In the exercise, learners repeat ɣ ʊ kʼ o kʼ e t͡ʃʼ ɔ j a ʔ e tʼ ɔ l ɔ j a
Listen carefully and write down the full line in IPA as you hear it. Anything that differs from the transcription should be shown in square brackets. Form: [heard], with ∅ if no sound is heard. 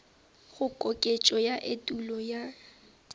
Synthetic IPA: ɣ ʊ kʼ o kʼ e t͡ʃʼ ɔ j a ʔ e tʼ [u] l ɔ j a